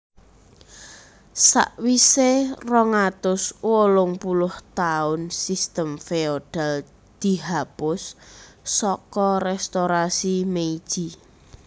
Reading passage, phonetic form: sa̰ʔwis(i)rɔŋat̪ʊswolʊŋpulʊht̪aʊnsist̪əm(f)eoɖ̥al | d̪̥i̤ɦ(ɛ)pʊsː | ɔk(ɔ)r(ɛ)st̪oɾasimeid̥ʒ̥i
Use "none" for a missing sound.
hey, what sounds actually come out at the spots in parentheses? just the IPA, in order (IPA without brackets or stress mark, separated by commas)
e, f, a, ɔ, ɛ